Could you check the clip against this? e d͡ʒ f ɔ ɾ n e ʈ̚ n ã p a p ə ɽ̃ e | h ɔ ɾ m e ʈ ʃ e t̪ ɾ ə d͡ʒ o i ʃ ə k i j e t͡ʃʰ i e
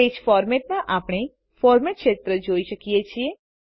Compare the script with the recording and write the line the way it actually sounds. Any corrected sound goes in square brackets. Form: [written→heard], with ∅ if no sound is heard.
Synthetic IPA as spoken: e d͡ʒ f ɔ ɾ [n→m] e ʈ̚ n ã [p→ʔ] a p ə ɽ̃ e | [h→f] ɔ ɾ m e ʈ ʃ e t̪ ɾ ə d͡ʒ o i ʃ ə k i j e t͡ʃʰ i e